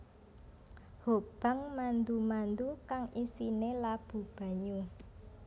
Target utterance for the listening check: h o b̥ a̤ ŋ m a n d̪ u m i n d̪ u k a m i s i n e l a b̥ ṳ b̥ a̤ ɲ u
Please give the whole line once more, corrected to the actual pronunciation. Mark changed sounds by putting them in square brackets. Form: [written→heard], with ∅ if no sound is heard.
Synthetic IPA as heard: h o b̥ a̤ ŋ m a n d̪ u m [i→a] n d̪ u k a [m→ŋ] i s i n e l a b̥ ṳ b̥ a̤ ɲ u

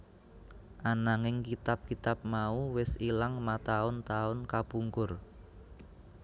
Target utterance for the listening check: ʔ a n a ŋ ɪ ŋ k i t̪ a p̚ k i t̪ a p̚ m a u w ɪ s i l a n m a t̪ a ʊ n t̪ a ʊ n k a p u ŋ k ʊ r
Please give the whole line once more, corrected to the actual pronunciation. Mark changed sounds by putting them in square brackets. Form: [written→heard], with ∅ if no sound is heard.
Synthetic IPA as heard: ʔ a n a ŋ ɪ ŋ k i t̪ a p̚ k i t̪ a p̚ m a u w ɪ s i l a [n→ŋ] m a t̪ a ʊ n t̪ a ʊ n k a p u ŋ k ʊ r

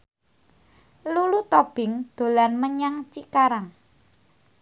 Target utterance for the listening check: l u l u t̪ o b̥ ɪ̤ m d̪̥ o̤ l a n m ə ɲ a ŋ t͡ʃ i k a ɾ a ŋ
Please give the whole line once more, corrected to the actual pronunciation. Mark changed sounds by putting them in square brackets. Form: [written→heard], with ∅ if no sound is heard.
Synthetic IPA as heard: l u l u t̪ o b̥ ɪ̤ [m→ŋ] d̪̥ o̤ l a n m ə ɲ a ŋ t͡ʃ i k a ɾ a ŋ

